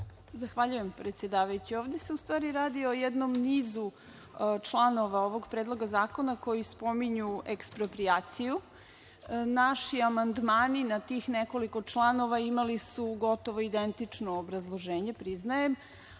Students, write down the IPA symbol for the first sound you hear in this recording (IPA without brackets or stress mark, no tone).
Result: z